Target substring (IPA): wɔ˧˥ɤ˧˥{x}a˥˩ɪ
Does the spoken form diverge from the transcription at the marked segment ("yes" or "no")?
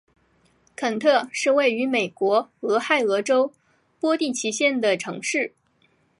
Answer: no